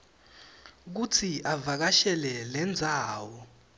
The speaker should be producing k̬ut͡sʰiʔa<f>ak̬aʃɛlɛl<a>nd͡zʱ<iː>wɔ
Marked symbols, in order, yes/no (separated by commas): no, no, no